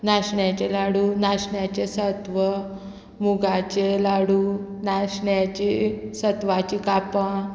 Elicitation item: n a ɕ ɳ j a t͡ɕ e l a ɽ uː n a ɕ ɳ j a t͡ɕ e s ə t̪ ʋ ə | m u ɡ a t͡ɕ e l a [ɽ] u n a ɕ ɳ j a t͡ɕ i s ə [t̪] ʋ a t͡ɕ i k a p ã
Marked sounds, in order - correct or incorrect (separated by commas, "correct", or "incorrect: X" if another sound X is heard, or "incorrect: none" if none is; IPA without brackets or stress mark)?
correct, correct